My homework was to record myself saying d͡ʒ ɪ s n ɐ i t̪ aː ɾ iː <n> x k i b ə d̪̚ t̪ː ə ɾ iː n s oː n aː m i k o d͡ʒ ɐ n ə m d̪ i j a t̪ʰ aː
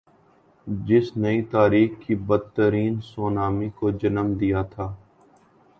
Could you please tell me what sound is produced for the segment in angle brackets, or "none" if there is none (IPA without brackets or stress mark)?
none